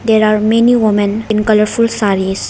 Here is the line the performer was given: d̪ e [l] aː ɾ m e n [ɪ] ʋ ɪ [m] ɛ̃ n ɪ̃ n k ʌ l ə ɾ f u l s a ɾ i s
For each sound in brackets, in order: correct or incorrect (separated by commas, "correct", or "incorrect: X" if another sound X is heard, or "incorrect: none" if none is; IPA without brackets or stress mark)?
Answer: incorrect: ɾ, incorrect: i, correct